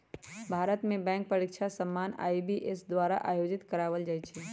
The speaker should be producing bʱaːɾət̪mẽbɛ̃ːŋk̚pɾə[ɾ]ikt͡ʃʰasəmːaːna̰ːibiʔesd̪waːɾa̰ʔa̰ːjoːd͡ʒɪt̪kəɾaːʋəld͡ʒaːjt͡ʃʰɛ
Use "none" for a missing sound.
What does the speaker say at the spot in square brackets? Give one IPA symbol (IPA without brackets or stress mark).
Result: ɾ